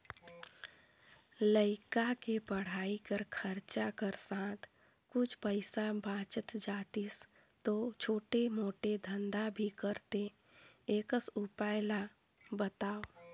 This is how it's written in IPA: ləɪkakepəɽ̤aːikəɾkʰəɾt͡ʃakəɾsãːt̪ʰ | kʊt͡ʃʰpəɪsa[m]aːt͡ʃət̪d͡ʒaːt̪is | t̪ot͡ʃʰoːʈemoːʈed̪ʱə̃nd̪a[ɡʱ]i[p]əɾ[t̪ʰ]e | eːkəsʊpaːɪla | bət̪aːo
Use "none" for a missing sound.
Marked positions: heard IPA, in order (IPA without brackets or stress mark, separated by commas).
b, bʱ, k, t̪